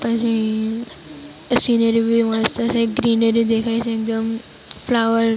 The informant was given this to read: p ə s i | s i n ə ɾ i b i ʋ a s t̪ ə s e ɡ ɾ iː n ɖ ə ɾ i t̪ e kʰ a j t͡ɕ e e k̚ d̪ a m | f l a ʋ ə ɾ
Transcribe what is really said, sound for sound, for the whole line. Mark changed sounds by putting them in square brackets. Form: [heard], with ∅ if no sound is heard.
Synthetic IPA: p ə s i | s i n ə ɾ i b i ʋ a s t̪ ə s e ɡ ɾ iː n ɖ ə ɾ i [d̪] e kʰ a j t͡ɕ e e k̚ d̪ [ə] m | f l a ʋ ə ɾ